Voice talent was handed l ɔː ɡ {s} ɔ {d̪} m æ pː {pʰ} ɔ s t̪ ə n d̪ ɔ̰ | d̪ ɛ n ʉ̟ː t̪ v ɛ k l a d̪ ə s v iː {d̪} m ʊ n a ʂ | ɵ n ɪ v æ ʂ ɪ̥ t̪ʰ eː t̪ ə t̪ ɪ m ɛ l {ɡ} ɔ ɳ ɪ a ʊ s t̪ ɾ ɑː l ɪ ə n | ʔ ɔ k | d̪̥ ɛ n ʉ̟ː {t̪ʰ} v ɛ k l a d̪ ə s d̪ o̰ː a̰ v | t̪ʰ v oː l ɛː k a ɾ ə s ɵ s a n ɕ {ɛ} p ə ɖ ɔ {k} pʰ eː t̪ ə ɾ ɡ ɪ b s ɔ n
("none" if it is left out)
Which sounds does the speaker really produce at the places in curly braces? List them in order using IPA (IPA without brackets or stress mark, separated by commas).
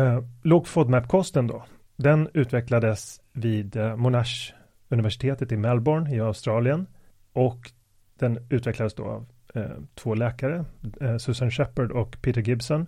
f, d̪, kʰ, d̪, b, t̪, ɛ, k